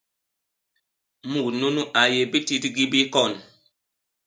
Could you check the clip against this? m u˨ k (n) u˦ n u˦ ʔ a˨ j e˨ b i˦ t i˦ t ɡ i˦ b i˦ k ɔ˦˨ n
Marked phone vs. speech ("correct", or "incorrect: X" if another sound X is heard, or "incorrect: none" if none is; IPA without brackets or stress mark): correct